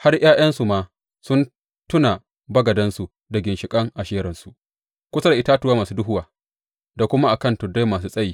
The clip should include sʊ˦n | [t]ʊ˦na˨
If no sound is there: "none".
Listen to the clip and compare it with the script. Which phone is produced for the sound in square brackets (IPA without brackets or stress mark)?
t